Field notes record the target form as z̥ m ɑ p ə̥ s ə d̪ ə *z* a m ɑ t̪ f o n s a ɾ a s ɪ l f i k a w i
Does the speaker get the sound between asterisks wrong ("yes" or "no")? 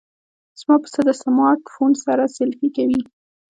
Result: yes